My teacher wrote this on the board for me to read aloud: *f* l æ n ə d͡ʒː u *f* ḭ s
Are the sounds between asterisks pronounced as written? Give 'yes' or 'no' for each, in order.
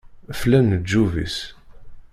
yes, no

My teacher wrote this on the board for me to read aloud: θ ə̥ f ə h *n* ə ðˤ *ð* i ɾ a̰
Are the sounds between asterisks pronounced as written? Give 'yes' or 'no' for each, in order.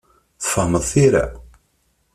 no, no

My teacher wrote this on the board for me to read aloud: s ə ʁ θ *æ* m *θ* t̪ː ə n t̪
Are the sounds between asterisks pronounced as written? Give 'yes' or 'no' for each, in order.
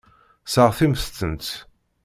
no, no

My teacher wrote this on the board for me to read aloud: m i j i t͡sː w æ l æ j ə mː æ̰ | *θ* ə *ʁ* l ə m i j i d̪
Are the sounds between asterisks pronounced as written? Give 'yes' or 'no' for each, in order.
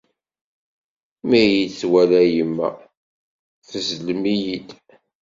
yes, no

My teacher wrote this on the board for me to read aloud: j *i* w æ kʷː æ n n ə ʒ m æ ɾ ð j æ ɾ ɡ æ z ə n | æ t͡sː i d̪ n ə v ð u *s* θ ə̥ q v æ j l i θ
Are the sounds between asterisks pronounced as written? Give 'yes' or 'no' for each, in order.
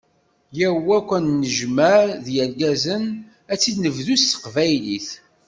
no, yes

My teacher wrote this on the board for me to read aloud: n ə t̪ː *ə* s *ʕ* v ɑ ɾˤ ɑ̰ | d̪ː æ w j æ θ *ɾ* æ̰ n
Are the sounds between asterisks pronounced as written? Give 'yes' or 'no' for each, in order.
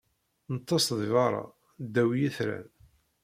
no, no, yes

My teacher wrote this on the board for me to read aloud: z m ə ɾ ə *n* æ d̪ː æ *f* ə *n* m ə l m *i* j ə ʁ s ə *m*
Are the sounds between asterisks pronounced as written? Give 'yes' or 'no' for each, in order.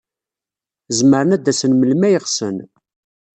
yes, no, yes, no, no

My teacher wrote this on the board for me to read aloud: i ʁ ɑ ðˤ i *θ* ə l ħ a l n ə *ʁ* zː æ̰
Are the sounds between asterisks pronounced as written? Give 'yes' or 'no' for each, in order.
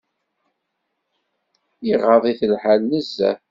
yes, no

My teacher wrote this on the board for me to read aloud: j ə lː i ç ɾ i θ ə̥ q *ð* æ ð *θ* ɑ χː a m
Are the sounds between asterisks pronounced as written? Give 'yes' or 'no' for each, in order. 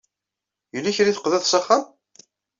yes, no

